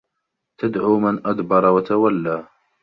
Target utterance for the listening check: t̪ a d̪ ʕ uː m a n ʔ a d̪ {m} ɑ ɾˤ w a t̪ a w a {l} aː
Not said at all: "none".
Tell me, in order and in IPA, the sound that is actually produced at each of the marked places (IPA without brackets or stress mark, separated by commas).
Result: b, lː